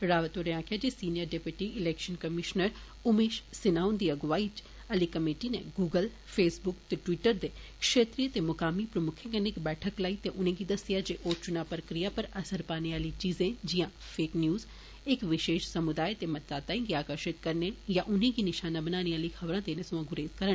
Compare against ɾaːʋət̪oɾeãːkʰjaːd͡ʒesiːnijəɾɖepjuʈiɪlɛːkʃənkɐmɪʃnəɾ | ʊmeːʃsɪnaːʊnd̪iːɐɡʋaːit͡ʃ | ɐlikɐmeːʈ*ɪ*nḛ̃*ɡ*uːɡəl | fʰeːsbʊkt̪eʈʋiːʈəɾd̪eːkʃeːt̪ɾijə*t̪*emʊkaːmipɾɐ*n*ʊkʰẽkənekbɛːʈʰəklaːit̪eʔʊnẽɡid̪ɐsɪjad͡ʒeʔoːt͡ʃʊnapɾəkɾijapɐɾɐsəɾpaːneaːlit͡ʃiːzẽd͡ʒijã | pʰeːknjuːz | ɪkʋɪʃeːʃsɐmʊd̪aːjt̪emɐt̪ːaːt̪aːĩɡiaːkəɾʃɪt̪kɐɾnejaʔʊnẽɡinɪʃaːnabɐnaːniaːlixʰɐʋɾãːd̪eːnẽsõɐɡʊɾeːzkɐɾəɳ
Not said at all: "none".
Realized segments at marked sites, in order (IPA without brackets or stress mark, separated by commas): i, ɡ, t̪, m